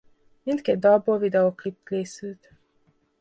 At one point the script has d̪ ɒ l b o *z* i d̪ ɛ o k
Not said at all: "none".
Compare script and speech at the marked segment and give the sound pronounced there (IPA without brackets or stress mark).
v